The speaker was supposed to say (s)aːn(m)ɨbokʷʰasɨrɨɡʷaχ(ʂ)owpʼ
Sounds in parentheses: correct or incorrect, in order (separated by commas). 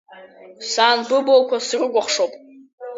correct, incorrect, correct